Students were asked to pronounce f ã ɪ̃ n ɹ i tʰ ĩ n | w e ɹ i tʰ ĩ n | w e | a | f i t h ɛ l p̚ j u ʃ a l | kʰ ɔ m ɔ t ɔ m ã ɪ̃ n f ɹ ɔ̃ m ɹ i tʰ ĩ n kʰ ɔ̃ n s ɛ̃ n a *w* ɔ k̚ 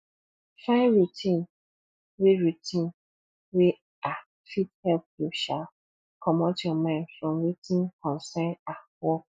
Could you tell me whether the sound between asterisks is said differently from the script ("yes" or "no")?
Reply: no